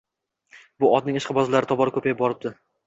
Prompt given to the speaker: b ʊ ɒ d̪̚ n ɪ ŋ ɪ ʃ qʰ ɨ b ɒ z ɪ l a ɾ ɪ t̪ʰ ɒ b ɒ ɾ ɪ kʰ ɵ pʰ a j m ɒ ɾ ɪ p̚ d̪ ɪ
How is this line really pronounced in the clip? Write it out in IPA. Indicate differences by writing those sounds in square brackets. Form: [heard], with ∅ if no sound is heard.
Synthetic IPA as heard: b ʊ ɒ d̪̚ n ɪ ŋ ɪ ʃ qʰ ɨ b ɒ z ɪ l a ɾ ɪ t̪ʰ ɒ b ɒ ɾ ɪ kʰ ɵ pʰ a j [b] ɒ ɾ ɪ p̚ d̪ ɪ

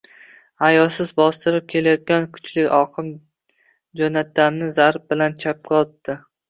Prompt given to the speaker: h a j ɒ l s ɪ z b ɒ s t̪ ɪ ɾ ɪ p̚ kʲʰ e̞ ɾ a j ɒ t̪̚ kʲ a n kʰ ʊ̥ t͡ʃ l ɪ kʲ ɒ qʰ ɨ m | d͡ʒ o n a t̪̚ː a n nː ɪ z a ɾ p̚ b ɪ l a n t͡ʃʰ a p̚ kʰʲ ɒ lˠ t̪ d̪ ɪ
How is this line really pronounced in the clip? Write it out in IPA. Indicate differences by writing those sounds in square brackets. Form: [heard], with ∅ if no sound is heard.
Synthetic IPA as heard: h a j ɒ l s ɪ z b ɒ s t̪ ɪ ɾ ɪ p̚ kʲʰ e̞ [l] a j ɒ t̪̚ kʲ a n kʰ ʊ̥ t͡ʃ l ɪ kʲ ɒ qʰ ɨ m | d͡ʒ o n a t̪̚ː a n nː ɪ z a ɾ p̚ b ɪ l a n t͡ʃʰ a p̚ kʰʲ ɒ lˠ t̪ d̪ ɪ

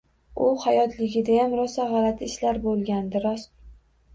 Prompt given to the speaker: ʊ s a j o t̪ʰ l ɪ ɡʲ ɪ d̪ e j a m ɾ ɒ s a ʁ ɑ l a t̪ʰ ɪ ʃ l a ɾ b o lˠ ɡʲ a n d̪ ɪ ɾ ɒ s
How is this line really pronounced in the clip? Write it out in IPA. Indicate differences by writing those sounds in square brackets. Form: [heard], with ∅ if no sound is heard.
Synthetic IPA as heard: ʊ [h] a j [ɒ] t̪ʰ l ɪ ɡʲ ɪ d̪ [a] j a m ɾ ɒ s a ʁ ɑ l a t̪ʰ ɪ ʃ l a ɾ b o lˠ ɡʲ a n d̪ ɪ ɾ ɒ s

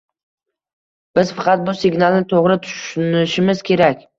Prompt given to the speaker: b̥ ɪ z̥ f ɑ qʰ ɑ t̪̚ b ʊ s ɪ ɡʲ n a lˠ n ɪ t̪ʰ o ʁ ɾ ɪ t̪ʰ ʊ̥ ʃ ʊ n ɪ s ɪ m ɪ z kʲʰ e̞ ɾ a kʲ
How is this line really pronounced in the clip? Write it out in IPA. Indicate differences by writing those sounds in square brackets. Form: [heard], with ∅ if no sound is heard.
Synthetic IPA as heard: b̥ ɪ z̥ f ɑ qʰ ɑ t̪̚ b ʊ s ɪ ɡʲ n a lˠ n ɪ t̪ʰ o ʁ ɾ ɪ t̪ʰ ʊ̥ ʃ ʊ n ɪ [ʃ] ɪ m ɪ z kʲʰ e̞ ɾ a kʲ

